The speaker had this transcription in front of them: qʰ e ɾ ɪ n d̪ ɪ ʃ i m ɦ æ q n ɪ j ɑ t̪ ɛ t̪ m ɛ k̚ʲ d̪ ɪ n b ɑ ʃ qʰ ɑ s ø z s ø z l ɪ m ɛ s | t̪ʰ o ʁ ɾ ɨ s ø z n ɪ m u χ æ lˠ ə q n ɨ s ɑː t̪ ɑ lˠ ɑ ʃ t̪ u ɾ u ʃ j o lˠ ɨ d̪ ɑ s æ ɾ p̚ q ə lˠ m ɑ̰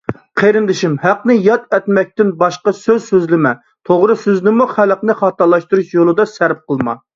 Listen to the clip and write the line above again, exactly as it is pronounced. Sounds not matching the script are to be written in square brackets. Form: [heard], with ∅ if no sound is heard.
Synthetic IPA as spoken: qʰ e ɾ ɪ n d̪ ɪ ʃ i m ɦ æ q n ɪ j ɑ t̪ ɛ t̪ m ɛ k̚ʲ [t̪] ɪ n b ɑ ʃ [q] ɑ s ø z s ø z l ɪ m ɛ [∅] | t̪ʰ o ʁ ɾ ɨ s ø z n ɪ m u χ æ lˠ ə q n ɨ [χ] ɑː t̪ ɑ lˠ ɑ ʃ t̪ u ɾ u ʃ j o lˠ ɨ d̪ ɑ s æ ɾ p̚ q ə lˠ m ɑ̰